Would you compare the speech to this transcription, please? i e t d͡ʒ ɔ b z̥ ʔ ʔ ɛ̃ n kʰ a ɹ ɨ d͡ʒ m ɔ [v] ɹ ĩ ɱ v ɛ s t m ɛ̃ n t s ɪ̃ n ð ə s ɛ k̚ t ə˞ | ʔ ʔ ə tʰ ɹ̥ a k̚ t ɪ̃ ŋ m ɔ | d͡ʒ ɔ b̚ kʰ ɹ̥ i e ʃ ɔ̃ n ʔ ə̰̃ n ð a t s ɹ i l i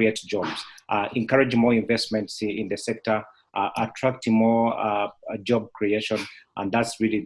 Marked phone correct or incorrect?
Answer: incorrect